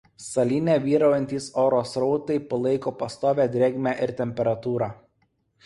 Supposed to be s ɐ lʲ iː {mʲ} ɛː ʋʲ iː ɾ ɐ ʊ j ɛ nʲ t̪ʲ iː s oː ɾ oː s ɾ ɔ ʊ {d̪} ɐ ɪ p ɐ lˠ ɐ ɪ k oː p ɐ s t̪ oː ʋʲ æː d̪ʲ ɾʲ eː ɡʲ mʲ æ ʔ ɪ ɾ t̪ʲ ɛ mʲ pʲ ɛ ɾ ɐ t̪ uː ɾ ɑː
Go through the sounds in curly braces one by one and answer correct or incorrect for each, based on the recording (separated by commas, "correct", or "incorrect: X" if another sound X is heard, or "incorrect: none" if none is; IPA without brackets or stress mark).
incorrect: nʲ, incorrect: t̪